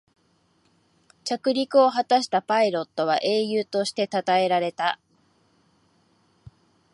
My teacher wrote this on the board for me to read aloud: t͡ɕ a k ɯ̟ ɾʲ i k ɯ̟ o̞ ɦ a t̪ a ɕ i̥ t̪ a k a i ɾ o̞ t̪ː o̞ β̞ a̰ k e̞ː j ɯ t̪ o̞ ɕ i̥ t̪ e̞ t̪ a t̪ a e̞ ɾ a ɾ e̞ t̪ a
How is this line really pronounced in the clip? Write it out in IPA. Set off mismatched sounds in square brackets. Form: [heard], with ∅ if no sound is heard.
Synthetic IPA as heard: t͡ɕ a k ɯ̟ ɾʲ i k ɯ̟ o̞ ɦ a t̪ a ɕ i̥ t̪ a [p] a i ɾ o̞ t̪ː o̞ β̞ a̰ [ʔ] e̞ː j [ɯː] t̪ o̞ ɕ i̥ t̪ e̞ t̪ a t̪ a e̞ ɾ a ɾ e̞ t̪ a

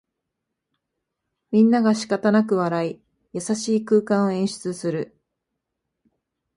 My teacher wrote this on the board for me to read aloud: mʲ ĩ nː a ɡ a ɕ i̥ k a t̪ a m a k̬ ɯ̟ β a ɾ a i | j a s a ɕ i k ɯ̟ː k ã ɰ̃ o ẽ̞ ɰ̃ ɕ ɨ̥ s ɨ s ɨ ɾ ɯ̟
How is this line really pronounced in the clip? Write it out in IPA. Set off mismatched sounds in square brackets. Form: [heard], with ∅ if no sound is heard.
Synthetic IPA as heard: mʲ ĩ nː a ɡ a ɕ i̥ k a t̪ a [n] a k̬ ɯ̟ β a ɾ a i | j a s a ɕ [iː] k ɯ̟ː k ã ɰ̃ o ẽ̞ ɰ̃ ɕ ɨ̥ [t͡s] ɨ s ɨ ɾ ɯ̟

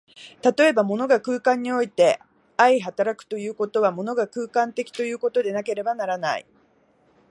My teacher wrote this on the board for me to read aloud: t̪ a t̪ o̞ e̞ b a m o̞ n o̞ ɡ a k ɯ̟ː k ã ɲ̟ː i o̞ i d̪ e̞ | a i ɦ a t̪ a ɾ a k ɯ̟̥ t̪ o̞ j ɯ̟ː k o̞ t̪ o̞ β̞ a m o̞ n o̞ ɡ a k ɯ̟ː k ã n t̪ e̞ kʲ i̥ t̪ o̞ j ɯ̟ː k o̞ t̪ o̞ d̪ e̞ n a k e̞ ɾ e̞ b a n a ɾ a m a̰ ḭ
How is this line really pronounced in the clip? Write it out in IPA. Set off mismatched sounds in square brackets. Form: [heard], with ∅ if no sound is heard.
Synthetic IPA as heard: t̪ a t̪ o̞ e̞ b a m o̞ n o̞ ɡ a k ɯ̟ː k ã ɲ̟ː i o̞ i [t̪] e̞ | a i ɦ a t̪ a ɾ a k ɯ̟̥ t̪ o̞ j ɯ̟ː k o̞ t̪ o̞ β̞ a m o̞ n o̞ ɡ a k ɯ̟ː k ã n t̪ e̞ kʲ i̥ t̪ o̞ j ɯ̟ː k o̞ t̪ o̞ d̪ e̞ n a k e̞ ɾ e̞ b a n a ɾ a [n] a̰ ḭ

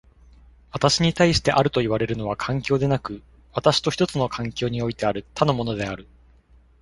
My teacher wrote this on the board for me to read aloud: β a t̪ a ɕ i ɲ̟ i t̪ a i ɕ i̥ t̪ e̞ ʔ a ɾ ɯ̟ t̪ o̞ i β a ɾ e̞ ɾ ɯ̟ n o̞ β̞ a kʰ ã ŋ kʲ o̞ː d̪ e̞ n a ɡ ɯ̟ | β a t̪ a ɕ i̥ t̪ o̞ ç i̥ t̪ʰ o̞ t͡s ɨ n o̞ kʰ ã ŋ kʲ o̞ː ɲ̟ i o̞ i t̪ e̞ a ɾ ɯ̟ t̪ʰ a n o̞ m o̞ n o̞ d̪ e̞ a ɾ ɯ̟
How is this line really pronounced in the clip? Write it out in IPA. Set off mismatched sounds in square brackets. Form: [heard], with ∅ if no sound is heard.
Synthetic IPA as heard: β a t̪ a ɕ i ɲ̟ i t̪ a i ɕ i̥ t̪ e̞ ʔ a ɾ ɯ̟ t̪ o̞ i β a ɾ e̞ ɾ ɯ̟ n o̞ β̞ a kʰ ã ŋ kʲ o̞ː d̪ e̞ n a [k] ɯ̟ | β a t̪ a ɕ i̥ t̪ o̞ ç i̥ [t̪] o̞ t͡s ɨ n o̞ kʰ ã ŋ kʲ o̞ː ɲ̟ i o̞ i t̪ e̞ a ɾ ɯ̟ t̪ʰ a n o̞ m o̞ n o̞ d̪ e̞ a ɾ ɯ̟

